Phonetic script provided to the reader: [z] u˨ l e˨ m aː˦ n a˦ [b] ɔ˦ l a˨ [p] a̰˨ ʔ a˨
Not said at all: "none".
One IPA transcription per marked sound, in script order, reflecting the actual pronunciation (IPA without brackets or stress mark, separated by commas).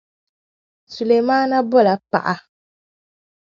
s, b, p